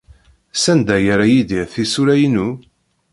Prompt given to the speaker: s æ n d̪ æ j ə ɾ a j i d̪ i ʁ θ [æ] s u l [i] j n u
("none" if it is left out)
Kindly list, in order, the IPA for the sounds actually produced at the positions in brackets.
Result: i, æ

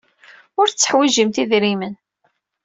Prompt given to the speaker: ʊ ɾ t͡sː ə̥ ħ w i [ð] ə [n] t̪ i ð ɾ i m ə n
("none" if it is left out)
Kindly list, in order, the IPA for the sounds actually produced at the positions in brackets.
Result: ʒ, m

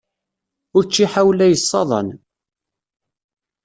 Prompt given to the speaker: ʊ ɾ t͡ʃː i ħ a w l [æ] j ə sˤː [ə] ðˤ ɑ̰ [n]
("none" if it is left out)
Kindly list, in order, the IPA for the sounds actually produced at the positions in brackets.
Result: æ, ɑ, n

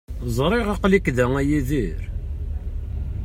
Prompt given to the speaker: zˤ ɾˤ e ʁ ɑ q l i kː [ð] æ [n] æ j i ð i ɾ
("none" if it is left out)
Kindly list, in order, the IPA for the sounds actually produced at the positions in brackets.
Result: ð, ŋ

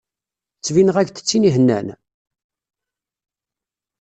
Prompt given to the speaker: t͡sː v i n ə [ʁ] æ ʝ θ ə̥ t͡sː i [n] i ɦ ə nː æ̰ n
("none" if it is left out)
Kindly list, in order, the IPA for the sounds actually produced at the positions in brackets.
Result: ʁ, n

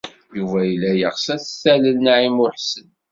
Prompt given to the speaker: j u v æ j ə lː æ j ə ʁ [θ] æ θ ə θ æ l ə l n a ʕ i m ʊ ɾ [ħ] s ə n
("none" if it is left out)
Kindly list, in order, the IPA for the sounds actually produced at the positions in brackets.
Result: s, ħ

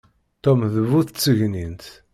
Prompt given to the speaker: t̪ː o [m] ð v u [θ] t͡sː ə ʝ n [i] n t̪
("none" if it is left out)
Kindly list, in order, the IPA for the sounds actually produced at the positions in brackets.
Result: m, θ, i

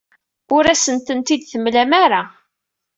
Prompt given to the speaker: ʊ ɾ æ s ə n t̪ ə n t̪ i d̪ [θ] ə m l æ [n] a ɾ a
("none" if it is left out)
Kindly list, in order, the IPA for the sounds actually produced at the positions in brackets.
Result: θ, m

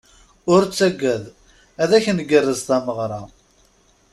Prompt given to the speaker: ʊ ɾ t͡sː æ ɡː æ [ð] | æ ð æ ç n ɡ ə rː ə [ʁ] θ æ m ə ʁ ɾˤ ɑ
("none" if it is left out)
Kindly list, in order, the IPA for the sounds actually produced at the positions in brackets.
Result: ð, z

